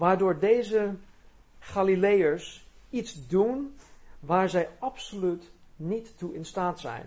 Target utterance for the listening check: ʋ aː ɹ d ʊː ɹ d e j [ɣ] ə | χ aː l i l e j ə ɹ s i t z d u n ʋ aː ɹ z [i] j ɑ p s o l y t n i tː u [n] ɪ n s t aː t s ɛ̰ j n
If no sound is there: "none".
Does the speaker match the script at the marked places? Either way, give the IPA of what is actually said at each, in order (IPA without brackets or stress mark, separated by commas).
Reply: z, ɛ, none